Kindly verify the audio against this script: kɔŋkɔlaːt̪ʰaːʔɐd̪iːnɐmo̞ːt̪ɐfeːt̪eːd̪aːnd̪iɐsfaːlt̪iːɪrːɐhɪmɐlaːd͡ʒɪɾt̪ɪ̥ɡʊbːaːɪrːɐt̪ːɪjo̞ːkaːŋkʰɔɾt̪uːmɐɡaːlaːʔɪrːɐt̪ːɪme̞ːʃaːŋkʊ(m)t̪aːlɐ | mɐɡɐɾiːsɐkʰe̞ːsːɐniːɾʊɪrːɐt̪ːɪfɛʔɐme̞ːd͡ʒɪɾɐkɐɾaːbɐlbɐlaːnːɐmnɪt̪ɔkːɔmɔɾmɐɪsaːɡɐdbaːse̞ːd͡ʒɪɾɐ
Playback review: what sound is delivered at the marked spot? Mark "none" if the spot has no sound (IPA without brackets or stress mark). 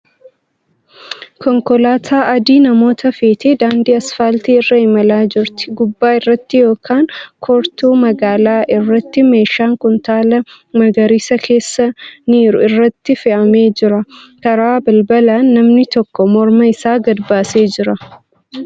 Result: n